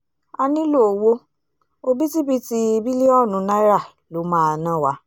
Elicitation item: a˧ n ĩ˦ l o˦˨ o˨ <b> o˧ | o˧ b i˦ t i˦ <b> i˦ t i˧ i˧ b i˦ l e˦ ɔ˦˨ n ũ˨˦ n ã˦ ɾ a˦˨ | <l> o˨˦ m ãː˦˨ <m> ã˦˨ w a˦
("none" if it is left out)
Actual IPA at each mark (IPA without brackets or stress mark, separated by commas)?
w, b, l, n